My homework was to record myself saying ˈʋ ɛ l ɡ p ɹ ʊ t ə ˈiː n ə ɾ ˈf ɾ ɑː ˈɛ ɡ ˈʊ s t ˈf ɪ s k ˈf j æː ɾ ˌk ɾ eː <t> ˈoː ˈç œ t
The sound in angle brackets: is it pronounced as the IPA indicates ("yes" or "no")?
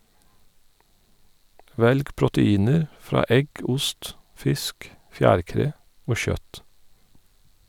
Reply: no